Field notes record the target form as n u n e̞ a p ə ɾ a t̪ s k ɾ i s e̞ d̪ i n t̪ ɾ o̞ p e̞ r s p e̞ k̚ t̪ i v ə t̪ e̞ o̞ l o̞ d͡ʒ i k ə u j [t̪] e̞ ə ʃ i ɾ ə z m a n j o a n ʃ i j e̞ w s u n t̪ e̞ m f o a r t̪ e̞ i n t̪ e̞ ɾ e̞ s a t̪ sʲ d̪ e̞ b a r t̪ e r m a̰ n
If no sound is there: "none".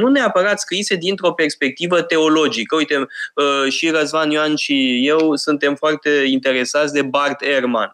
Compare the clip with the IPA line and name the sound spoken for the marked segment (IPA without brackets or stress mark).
t̪